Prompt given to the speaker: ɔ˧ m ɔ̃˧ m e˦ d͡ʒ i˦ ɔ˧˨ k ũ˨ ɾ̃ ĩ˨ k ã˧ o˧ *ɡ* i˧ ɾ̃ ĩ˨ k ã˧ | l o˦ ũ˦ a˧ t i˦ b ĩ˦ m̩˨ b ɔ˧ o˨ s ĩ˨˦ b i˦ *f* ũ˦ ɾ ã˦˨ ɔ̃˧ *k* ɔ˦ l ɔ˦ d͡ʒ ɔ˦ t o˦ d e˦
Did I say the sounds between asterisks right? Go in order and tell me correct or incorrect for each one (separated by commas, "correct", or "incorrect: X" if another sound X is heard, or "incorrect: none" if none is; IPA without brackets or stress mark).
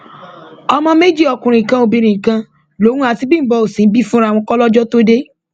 incorrect: b, correct, correct